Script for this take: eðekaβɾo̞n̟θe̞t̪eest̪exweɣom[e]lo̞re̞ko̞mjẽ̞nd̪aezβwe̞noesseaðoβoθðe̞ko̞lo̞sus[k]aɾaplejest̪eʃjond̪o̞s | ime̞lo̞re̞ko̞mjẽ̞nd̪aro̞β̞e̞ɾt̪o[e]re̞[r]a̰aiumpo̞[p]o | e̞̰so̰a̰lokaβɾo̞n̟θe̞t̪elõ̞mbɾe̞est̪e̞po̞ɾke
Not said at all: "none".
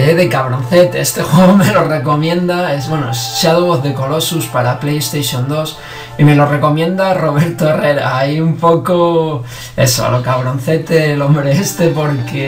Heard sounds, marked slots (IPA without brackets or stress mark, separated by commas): e, p, e, ɾ, k